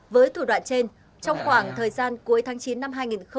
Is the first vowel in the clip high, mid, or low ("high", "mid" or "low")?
mid